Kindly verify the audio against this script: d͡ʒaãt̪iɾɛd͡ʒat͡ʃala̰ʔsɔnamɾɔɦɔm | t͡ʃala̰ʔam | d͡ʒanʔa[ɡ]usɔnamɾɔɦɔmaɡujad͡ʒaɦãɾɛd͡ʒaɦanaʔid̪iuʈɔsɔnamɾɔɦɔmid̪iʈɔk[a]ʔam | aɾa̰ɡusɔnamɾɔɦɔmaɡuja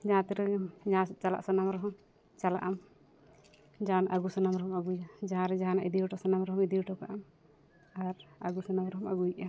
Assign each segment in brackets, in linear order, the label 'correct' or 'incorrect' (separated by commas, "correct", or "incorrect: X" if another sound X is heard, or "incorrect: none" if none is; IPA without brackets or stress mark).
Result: correct, correct